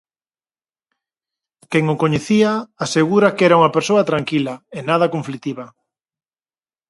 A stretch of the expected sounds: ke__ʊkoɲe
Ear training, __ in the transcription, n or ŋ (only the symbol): ŋ